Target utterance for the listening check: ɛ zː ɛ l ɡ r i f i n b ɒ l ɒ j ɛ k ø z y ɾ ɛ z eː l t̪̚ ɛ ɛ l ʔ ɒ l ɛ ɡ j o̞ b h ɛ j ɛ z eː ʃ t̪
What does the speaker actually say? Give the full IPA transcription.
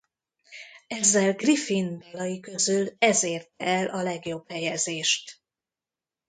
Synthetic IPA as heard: ɛ zː ɛ l ɡ r i f i n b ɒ l ɒ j i k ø z y l ɛ z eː r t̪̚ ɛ ɛ l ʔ ɒ l ɛ ɡ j o̞ b h ɛ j ɛ z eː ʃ t̪